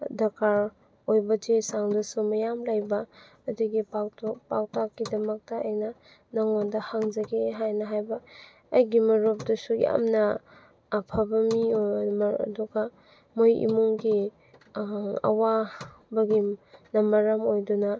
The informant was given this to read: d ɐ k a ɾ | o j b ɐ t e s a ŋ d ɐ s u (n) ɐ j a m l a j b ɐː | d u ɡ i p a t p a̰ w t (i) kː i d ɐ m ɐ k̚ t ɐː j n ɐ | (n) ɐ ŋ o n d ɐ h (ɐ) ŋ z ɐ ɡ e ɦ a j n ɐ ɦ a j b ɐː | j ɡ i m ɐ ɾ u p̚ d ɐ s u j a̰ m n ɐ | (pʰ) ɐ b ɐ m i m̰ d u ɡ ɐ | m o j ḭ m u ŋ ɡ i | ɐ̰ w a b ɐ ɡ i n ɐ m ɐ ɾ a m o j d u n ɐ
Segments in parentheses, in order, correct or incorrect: incorrect, incorrect, correct, incorrect, correct

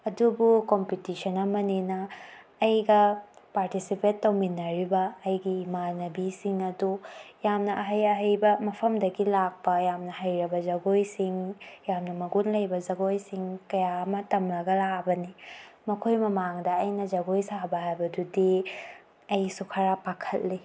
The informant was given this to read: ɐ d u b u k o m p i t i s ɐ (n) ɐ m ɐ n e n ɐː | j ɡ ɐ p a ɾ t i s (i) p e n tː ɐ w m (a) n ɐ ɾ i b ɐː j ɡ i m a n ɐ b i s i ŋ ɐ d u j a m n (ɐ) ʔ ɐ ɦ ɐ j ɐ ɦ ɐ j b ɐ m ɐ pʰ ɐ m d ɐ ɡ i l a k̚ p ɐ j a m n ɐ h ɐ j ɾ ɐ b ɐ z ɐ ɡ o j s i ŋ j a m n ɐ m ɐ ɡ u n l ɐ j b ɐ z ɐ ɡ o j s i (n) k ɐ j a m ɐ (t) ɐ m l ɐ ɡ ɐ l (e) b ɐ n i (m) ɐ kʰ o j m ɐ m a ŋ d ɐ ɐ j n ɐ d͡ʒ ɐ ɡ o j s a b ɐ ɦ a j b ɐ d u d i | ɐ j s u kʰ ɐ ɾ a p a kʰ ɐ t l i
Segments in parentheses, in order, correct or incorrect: correct, correct, incorrect, correct, incorrect, correct, incorrect, correct

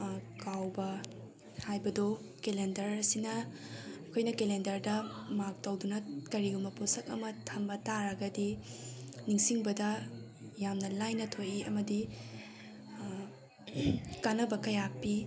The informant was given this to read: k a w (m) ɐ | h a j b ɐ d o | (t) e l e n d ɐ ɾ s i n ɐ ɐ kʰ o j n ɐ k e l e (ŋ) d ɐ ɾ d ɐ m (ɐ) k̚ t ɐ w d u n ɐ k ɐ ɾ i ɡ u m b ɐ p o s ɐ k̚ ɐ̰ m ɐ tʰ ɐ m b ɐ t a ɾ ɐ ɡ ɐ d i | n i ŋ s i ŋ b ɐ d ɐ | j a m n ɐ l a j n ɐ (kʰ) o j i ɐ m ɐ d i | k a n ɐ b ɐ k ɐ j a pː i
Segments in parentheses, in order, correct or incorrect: incorrect, incorrect, incorrect, incorrect, incorrect

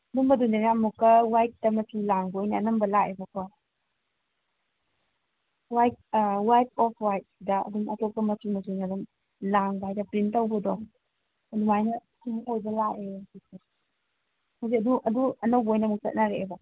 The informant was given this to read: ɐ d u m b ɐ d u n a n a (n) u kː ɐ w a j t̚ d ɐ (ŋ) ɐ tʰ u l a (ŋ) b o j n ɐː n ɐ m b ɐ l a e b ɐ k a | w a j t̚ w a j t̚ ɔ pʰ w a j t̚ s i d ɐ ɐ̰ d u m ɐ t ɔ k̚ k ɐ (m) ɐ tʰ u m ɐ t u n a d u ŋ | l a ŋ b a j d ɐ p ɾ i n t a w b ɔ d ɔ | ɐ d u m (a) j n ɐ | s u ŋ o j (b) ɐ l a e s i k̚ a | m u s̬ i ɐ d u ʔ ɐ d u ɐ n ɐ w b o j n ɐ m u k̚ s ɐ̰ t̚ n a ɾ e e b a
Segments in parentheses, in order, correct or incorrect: incorrect, incorrect, correct, correct, correct, correct

